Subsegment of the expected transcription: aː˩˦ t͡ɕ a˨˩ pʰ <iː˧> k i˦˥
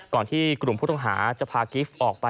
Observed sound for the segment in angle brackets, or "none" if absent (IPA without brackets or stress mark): aː˧